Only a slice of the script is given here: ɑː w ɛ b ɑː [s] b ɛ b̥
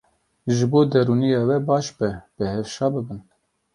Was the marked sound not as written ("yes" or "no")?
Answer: yes